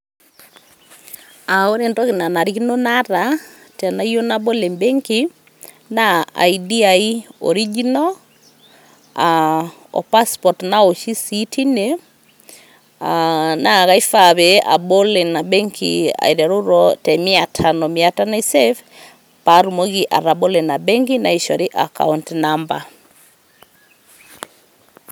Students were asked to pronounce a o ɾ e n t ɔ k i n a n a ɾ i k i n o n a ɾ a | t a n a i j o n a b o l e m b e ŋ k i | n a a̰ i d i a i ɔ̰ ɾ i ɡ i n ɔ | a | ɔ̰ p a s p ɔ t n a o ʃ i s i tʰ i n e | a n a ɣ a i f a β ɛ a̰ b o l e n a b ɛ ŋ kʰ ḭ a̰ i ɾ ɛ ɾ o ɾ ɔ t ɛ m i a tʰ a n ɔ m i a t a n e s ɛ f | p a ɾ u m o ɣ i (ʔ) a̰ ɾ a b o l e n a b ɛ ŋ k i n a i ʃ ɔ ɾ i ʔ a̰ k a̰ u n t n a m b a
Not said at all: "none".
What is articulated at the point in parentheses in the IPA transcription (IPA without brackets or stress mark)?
ʔ